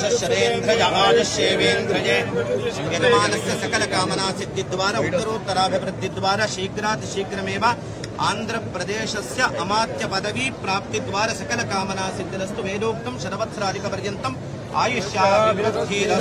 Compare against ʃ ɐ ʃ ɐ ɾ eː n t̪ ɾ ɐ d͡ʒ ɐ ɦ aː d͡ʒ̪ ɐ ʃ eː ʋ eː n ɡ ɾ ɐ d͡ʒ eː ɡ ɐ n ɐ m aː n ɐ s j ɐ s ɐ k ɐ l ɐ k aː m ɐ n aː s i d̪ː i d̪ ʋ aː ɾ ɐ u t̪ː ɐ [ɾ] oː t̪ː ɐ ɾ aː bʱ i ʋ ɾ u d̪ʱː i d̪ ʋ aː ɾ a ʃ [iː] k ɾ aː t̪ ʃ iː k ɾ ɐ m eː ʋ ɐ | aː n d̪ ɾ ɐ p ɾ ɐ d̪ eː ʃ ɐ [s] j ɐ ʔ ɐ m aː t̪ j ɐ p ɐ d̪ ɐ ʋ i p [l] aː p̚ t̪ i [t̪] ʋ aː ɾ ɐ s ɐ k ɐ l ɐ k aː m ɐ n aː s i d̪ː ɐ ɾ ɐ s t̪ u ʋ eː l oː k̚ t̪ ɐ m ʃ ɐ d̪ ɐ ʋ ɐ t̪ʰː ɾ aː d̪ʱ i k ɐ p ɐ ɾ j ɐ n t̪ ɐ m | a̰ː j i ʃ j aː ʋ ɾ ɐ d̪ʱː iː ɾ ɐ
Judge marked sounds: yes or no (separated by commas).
yes, yes, yes, no, no